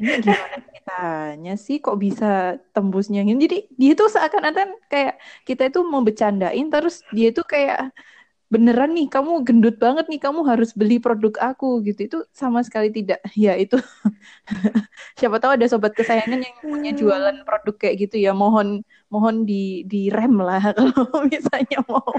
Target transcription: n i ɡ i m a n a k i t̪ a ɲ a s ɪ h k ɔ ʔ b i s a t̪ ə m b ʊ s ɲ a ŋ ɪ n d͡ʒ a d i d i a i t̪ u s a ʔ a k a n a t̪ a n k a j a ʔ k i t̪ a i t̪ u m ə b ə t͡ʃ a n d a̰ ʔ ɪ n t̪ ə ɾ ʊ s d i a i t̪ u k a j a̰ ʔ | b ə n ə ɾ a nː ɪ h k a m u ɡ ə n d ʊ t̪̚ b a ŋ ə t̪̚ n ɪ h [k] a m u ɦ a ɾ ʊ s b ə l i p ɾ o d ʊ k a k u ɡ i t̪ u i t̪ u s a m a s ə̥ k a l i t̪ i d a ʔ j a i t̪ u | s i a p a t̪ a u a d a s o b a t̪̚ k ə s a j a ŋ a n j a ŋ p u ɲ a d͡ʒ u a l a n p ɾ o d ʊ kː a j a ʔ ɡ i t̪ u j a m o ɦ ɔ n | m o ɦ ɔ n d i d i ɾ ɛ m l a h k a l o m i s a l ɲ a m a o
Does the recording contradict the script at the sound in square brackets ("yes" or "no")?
no